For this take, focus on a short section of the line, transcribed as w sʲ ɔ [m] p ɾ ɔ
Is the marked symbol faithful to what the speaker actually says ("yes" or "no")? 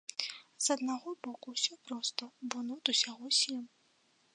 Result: no